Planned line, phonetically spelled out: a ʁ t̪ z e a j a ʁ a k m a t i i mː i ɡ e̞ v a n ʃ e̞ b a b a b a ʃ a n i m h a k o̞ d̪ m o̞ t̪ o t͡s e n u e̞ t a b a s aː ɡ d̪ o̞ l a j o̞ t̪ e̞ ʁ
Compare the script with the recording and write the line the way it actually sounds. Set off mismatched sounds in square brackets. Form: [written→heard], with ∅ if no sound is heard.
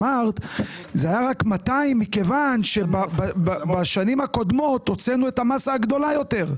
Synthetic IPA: a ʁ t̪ z e a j a ʁ a k m a t [i→a] i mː i [ɡ→k] e̞ v a n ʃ e̞ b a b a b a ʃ a n i m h a k o̞ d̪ m o̞ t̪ o t͡s e n u e̞ t a [b→m] a s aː ɡ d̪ o̞ l a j o̞ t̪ e̞ ʁ